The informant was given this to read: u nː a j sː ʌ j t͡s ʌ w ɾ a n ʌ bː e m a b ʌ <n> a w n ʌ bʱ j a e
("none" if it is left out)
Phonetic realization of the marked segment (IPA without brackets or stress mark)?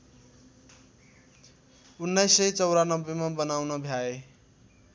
n